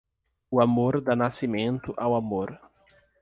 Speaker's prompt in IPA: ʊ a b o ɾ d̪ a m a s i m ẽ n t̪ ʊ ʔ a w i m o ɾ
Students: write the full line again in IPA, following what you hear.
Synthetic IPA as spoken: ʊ a m o ɾ d̪ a n a s i m ẽ n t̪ ʊ ʔ a w a m o ɾ